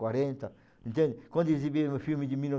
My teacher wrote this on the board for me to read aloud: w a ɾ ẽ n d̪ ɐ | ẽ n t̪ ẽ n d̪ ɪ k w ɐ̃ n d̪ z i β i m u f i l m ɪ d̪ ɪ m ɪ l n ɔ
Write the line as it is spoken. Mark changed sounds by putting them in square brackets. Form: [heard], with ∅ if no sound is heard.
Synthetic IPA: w a ɾ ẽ n [t̪] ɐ | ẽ n t̪ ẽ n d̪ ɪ k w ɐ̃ n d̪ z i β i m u f i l m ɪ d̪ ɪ m [i] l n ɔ